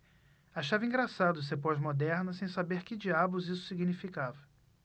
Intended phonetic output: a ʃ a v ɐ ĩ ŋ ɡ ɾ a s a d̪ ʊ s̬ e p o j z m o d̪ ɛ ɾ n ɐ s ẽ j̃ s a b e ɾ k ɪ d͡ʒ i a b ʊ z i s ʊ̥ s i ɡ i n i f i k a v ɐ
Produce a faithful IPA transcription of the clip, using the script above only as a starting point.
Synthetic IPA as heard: a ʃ a v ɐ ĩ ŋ ɡ ɾ a s a d̪ ʊ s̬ e p o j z m o d̪ ɛ ɾ n ɐ s ẽ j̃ s a b e ɾ k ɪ d͡ʒ i a b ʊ z i s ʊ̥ s i ɡ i n i f i k a v ɐ